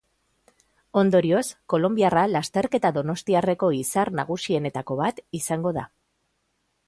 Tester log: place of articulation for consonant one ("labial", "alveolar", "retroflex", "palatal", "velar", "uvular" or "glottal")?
alveolar